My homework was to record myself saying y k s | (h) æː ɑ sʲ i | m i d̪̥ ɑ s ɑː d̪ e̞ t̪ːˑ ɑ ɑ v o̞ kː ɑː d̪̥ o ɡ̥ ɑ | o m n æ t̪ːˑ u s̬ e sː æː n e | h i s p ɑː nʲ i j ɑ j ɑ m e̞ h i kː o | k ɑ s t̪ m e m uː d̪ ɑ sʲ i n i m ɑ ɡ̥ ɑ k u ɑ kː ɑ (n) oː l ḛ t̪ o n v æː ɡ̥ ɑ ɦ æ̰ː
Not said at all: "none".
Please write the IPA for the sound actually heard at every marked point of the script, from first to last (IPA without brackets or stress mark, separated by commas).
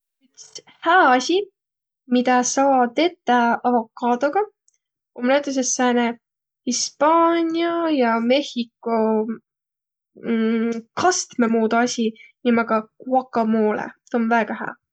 h, m